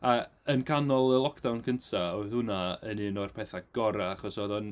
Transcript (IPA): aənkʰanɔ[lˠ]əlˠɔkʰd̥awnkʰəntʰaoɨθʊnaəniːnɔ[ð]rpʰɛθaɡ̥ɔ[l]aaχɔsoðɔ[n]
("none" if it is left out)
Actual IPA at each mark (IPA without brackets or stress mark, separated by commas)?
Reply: lˠ, none, ɾ, n